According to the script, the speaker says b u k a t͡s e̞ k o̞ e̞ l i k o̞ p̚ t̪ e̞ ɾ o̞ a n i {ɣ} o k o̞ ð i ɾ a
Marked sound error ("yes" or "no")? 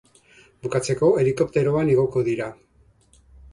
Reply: no